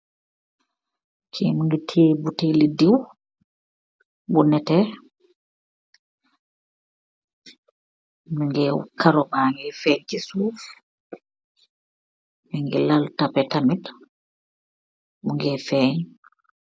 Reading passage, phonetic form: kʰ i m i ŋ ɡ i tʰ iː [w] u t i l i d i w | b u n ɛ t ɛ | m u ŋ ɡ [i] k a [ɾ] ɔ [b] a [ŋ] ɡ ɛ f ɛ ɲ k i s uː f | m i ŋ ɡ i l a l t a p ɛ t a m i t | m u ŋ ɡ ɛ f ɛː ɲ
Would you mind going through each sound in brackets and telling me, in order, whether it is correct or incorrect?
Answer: incorrect: b, incorrect: ɛ, correct, incorrect: m, correct

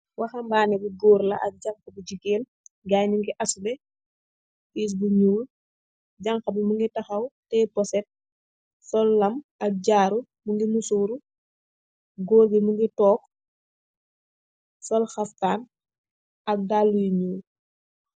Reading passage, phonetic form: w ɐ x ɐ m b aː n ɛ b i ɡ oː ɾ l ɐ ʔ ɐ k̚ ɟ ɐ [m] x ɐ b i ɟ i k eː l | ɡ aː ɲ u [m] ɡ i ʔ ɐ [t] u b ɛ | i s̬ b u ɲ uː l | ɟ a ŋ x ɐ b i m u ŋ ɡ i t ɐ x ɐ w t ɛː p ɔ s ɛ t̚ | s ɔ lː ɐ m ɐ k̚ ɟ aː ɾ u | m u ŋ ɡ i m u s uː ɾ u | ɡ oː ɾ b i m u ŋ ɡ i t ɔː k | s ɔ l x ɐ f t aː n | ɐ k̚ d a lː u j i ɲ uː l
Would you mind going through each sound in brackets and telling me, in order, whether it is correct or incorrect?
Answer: incorrect: ŋ, incorrect: ŋ, incorrect: s

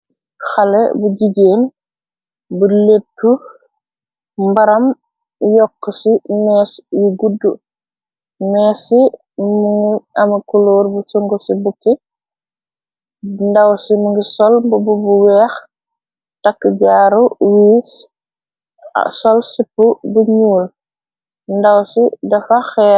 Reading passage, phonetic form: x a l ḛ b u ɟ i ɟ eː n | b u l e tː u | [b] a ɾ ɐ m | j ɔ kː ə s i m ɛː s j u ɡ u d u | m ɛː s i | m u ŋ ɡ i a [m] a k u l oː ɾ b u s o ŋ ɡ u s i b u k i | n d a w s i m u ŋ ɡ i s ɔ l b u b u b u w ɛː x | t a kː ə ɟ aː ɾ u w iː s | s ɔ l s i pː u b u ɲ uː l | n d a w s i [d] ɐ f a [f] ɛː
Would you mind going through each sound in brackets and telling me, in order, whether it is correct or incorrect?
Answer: correct, correct, correct, incorrect: x

